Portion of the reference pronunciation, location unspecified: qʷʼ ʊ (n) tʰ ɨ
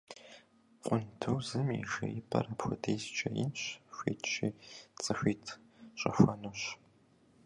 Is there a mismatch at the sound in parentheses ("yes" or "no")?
no